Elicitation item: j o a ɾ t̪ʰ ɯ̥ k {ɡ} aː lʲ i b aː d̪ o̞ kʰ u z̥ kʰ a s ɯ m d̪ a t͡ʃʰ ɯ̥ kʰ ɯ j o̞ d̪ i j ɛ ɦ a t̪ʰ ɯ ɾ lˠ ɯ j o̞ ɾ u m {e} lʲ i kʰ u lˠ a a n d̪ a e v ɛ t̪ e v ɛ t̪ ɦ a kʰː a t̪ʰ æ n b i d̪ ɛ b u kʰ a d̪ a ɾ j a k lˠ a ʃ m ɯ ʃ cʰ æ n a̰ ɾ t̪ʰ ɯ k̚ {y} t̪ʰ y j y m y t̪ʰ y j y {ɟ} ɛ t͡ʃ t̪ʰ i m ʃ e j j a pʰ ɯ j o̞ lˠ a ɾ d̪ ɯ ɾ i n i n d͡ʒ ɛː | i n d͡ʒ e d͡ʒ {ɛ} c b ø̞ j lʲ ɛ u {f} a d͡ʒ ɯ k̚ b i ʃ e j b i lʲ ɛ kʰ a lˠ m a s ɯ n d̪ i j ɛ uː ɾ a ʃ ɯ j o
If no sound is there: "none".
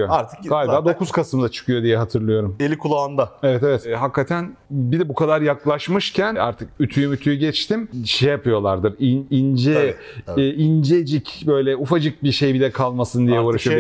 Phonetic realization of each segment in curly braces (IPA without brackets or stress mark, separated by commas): ɡ, e, y, ɟ, i, f